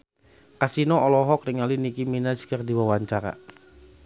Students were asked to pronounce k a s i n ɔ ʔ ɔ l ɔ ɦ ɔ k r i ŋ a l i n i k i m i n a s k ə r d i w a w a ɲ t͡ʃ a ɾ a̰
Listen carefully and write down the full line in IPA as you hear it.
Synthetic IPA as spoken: k a s i n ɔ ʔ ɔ l ɔ ɦ ɔ k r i ŋ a l i n i k i m i n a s k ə r d i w a w a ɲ t͡ʃ a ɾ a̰